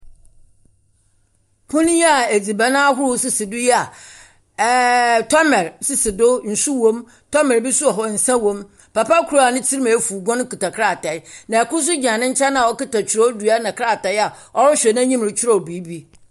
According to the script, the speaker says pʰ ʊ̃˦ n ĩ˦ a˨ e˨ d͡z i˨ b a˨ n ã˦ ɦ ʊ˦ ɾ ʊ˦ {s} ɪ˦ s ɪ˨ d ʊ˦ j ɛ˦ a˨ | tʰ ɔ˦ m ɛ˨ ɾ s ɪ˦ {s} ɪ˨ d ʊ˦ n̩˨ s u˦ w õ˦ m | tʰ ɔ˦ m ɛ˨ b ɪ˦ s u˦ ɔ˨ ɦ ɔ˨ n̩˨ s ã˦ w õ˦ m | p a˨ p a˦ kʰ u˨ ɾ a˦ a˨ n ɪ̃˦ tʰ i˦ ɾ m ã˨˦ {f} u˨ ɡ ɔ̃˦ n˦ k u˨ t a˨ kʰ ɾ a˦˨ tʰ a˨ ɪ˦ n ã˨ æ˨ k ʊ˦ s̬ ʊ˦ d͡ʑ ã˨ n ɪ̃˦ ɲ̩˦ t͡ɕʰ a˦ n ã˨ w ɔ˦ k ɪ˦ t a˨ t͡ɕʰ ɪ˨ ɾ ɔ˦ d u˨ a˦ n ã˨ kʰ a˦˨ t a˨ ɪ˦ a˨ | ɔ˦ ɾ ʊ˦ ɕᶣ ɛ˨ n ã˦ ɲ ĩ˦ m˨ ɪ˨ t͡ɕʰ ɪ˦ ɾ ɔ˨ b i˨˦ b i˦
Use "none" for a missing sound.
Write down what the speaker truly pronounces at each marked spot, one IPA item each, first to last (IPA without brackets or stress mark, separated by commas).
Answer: s, s, f